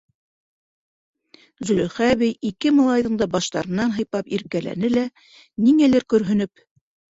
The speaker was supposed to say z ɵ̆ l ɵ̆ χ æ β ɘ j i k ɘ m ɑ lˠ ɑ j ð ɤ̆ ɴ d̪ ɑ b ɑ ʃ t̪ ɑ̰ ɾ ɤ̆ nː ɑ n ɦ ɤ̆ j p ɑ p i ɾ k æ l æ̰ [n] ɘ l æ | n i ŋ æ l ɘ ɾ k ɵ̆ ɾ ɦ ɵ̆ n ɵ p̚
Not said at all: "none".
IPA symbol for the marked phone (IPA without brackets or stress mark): n